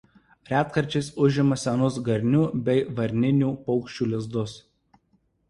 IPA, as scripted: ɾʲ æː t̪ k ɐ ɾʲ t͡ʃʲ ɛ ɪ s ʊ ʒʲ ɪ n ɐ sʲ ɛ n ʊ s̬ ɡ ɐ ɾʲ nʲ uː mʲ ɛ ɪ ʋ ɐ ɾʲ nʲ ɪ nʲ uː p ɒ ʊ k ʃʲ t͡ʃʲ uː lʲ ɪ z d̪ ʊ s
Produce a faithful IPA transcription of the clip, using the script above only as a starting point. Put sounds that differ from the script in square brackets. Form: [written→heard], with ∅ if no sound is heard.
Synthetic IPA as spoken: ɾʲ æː t̪ k ɐ ɾʲ t͡ʃʲ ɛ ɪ s ʊ ʒʲ ɪ [n→m] ɐ sʲ ɛ n ʊ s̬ ɡ ɐ ɾʲ nʲ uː [mʲ→bʲ] ɛ ɪ ʋ ɐ ɾʲ nʲ ɪ nʲ uː p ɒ ʊ k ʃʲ t͡ʃʲ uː lʲ ɪ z d̪ ʊ s